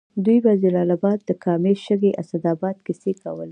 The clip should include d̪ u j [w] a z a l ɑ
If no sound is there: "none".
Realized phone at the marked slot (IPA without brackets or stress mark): b